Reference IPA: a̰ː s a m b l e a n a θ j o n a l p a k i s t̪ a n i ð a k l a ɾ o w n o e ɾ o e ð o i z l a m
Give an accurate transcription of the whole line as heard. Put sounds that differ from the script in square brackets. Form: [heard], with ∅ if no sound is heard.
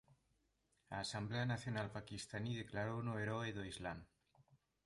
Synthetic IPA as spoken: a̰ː s a m b l e a n a θ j o n a l p a k i s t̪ a n i ð [e] k l a ɾ o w n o e ɾ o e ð o i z l a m